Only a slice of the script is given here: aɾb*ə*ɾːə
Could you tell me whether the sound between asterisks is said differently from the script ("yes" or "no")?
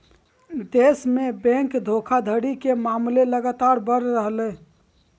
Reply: no